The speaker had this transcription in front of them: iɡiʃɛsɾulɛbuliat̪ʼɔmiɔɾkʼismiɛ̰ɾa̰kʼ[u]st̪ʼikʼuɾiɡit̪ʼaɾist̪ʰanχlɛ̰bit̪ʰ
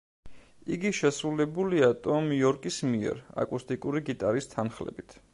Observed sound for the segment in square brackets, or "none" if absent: u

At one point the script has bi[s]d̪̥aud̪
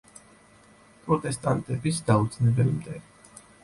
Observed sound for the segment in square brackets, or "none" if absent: s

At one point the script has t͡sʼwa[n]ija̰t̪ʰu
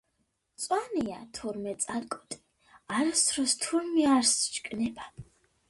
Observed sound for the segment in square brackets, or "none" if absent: n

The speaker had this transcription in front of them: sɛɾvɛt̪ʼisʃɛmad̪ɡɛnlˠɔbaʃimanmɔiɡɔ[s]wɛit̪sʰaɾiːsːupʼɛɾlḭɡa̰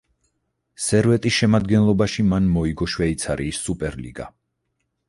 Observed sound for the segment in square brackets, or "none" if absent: ʃ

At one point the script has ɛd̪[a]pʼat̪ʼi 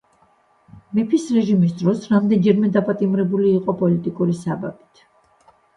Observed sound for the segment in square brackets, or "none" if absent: a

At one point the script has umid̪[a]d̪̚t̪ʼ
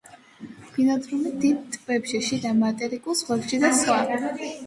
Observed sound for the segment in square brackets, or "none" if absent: i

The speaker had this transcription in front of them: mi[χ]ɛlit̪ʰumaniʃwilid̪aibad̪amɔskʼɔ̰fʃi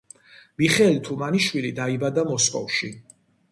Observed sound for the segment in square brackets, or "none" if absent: χ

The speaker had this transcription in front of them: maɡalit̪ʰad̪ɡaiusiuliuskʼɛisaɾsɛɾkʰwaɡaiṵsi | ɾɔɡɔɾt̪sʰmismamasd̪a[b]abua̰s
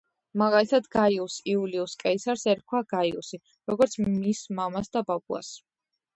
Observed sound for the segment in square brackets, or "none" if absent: b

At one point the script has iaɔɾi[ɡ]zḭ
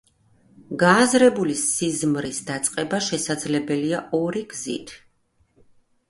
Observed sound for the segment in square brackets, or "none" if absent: ɡ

